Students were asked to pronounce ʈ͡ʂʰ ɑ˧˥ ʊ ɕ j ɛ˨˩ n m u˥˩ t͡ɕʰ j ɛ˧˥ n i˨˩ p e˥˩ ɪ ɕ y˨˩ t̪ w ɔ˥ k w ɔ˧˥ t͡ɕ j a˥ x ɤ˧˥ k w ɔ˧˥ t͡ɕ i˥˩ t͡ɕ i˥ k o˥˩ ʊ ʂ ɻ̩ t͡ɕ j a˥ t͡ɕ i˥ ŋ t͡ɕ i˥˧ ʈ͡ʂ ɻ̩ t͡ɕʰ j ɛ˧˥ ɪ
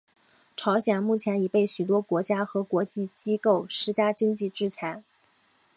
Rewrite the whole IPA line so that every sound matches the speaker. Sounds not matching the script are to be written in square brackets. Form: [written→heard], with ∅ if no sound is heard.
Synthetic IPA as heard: ʈ͡ʂʰ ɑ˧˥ ʊ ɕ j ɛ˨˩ n m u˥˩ t͡ɕʰ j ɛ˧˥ n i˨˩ p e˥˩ ɪ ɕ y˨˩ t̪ w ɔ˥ k w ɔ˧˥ t͡ɕ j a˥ x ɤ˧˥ k w ɔ˧˥ t͡ɕ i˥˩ t͡ɕ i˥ k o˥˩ ʊ ʂ ɻ̩ t͡ɕ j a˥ t͡ɕ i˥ ŋ t͡ɕ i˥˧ ʈ͡ʂ ɻ̩ t͡ɕʰ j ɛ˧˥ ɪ